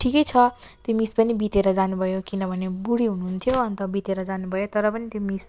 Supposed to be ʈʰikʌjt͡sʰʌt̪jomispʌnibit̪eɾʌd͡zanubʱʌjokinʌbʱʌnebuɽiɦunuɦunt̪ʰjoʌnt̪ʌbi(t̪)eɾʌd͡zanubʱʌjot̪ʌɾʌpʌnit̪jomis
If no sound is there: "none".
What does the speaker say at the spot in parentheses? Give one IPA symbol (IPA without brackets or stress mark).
t̪